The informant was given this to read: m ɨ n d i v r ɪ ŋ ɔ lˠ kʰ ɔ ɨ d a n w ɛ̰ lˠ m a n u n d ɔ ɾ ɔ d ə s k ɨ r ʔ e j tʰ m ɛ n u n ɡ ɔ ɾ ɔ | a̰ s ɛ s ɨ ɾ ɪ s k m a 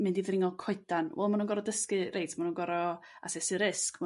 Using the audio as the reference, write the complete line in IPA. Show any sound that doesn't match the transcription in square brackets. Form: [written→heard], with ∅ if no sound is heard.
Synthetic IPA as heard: m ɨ n d i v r ɪ ŋ ɔ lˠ kʰ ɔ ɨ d a n w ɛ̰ lˠ m a n u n [d→ɡ] ɔ ɾ ɔ d ə s k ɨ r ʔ e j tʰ m [ɛ→a] n u n ɡ ɔ ɾ ɔ | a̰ s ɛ s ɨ ɾ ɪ s k m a